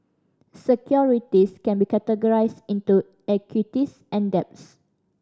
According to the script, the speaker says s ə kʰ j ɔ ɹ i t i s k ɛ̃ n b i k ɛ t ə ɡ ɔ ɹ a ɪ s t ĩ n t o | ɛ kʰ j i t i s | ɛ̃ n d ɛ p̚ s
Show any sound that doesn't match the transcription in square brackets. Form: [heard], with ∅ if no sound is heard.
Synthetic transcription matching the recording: s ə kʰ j ɔ ɹ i t i s k ɛ̃ n b i k ɛ t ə ɡ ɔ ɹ a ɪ s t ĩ n t [u] | ɛ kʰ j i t i s | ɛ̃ n d ɛ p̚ s